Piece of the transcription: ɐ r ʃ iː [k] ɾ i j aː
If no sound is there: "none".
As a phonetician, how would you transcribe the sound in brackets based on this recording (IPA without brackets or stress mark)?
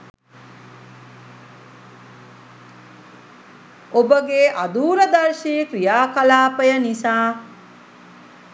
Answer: k